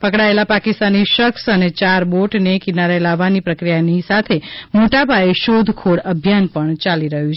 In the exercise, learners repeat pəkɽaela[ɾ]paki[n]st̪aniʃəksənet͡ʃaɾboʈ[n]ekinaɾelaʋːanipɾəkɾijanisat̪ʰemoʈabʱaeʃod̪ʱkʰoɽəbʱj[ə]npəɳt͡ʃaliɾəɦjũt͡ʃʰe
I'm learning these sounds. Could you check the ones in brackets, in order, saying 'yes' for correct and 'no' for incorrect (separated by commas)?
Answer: no, no, yes, no